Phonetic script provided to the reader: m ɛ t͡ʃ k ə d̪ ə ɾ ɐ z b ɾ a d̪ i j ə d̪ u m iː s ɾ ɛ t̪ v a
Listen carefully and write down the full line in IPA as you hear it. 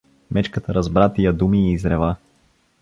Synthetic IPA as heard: m ɛ t͡ʃ k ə t̪ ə ɾ ɐ z b ɾ a t̪ i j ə d̪ u m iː z ɾ ɛ v a